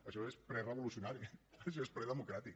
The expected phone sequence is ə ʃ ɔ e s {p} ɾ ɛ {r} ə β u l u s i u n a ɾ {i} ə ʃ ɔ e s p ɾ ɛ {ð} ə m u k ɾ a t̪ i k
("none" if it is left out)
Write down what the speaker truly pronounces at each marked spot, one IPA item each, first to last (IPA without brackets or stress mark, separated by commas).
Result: p, r, i, ð